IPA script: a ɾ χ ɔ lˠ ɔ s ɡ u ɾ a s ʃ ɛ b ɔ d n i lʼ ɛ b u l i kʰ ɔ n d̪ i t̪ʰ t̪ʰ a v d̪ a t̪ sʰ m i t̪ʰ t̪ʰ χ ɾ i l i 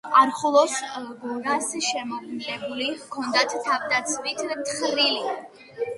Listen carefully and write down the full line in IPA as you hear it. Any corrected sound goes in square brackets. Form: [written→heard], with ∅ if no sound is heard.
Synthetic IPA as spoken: a ɾ χ ɔ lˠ ɔ s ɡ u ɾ a s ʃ ɛ [b→m] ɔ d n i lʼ ɛ b u l i kʰ ɔ n d̪ [i→a] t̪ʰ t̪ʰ a v d̪ a t̪ sʰ m i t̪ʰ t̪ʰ χ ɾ i l i